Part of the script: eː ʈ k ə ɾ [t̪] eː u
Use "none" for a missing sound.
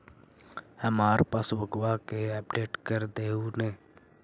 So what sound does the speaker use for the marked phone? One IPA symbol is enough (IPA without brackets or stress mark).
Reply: d̪